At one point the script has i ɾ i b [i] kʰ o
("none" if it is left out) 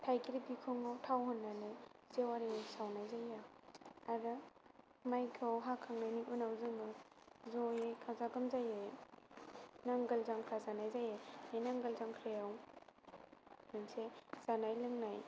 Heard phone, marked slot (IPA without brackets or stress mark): i